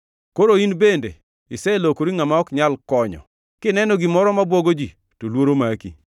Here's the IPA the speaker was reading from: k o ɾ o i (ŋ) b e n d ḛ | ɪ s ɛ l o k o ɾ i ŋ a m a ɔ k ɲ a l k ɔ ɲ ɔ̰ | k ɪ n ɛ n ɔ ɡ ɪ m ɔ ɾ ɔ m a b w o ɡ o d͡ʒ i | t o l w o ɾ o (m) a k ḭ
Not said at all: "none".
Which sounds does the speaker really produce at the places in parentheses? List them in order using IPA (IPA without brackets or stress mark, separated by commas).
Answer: n, m